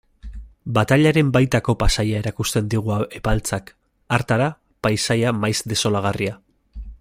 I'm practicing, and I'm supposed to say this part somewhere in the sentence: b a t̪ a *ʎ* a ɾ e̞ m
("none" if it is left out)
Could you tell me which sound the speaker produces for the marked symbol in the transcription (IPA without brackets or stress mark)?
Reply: ʎ